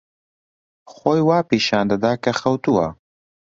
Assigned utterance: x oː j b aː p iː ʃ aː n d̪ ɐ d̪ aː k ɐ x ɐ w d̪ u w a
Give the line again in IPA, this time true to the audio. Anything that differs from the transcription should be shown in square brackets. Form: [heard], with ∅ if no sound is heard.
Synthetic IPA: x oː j [w] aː p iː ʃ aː n d̪ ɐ d̪ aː k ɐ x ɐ w [t̪] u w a